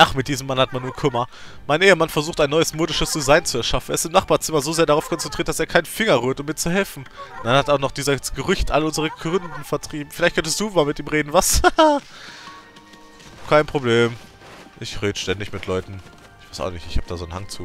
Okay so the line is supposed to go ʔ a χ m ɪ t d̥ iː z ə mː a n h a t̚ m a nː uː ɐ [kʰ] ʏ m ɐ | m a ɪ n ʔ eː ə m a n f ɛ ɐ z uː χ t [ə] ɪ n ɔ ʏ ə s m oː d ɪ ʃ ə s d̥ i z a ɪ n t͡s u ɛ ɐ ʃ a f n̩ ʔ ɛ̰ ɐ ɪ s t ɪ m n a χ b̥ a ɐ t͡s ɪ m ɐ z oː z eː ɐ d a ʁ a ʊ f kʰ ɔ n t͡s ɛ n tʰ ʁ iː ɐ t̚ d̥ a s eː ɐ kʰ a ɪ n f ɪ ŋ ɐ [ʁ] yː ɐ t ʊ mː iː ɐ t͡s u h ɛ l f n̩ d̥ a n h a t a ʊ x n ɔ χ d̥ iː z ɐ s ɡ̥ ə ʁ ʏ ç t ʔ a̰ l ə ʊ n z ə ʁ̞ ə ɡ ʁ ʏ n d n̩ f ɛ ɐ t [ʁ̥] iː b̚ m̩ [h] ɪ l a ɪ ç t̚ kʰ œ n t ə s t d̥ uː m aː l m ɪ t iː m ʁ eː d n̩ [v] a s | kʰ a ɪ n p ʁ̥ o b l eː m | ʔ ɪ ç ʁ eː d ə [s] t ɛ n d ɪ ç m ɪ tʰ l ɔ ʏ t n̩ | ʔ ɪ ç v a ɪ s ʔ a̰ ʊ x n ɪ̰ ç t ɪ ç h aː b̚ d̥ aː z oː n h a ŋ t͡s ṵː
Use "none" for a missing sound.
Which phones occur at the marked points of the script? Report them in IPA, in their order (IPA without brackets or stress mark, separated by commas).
kʰ, a, ʁ, ʁ̥, f, v, ʃ